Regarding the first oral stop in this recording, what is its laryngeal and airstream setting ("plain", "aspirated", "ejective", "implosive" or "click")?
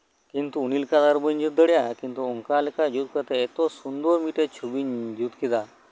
plain